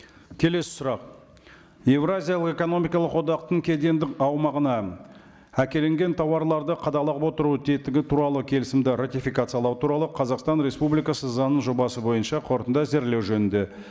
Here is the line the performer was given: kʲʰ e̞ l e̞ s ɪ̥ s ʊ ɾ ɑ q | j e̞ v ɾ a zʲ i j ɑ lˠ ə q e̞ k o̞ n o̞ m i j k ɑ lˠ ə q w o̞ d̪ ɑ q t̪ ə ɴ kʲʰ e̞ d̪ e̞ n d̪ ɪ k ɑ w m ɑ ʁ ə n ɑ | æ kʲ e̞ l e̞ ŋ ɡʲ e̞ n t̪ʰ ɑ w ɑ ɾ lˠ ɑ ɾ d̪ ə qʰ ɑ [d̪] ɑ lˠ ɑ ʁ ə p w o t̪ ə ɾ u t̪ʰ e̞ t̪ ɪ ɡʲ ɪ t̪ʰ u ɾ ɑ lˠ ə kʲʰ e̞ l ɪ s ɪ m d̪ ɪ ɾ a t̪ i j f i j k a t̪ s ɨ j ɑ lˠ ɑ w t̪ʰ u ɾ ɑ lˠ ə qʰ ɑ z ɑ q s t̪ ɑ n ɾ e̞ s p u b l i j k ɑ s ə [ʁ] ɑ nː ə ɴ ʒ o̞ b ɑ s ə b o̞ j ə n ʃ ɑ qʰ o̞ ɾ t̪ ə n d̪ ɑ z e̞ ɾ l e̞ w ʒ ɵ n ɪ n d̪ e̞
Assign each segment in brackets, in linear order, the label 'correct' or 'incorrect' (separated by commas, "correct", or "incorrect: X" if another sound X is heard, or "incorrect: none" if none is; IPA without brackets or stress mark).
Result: correct, incorrect: z